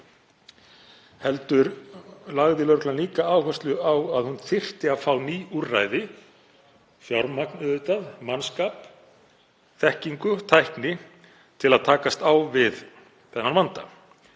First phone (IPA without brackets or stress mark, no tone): h